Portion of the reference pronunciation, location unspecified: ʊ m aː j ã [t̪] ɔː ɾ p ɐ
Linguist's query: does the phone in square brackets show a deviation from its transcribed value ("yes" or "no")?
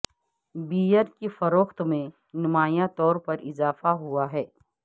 no